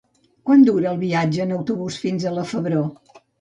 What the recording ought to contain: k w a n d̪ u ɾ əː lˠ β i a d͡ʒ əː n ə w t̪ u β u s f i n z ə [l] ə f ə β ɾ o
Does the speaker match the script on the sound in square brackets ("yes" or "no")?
yes